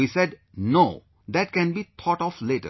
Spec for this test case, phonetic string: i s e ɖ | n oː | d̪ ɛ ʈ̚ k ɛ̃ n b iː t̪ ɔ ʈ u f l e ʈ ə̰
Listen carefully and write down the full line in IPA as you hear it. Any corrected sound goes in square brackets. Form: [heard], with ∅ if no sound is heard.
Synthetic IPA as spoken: i s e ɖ | n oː | d̪ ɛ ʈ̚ k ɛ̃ n b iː [t̪ʰ] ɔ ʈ [ɔ] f l e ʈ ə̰